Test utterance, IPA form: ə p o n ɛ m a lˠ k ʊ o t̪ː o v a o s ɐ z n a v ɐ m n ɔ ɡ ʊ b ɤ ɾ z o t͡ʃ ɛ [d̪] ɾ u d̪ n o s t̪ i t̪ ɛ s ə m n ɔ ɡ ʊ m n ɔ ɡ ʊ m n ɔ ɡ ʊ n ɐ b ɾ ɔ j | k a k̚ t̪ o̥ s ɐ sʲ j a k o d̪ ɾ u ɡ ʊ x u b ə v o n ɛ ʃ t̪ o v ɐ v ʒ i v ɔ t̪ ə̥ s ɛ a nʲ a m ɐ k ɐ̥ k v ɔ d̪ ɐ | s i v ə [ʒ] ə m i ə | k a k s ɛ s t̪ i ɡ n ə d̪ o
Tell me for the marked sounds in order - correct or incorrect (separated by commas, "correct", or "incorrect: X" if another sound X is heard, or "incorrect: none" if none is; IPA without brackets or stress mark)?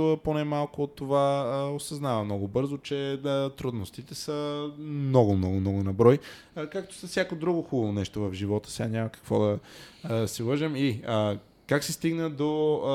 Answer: incorrect: t̪, correct